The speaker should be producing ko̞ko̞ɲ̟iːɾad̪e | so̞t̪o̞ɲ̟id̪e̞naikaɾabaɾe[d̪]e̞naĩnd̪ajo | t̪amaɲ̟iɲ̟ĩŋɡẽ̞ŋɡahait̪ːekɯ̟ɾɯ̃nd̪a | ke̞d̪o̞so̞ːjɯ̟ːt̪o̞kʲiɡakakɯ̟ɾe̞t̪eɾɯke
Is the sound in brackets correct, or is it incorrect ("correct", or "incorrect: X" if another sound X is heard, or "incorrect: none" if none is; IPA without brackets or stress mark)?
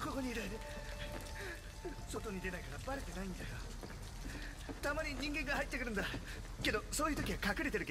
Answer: incorrect: t̪